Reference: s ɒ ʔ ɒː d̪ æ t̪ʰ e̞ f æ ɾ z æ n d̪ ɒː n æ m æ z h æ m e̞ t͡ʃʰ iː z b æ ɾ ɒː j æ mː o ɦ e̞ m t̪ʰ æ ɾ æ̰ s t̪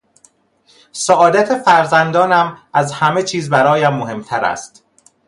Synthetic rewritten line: s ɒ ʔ ɒː d̪ æ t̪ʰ e̞ f æ ɾ z æ n d̪ ɒː n æ m æ z h æ m e̞ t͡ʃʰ iː z b æ ɾ ɒː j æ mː o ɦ e̞ m t̪ʰ æ ɾ æ̰ s t̪